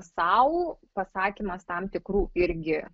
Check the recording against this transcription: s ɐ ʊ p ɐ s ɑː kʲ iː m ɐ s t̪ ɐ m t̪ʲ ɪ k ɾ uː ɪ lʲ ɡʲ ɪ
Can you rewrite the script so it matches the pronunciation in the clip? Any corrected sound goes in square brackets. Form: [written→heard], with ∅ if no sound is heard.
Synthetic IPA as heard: s ɐ ʊ p ɐ s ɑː kʲ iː m ɐ s t̪ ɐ m t̪ʲ ɪ k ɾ uː ɪ [lʲ→ɾʲ] ɡʲ ɪ

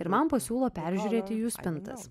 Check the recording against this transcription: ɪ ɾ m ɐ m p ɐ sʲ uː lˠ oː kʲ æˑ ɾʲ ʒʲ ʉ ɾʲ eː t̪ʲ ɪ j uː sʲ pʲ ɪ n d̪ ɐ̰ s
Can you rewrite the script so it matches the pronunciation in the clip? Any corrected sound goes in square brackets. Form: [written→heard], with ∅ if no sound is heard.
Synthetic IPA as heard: ɪ ɾ m ɐ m p ɐ sʲ uː lˠ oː [kʲ→pʲ] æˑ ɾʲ ʒʲ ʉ ɾʲ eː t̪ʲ ɪ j uː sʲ pʲ ɪ n [d̪→t̪] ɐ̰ s

